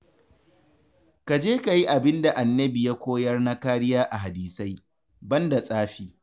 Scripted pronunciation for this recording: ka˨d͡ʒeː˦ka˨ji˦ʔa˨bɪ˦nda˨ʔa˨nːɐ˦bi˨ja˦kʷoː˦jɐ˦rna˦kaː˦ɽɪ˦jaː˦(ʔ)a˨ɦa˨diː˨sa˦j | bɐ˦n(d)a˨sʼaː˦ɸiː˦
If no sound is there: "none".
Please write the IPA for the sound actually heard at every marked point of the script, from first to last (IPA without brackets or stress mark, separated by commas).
ʔ, d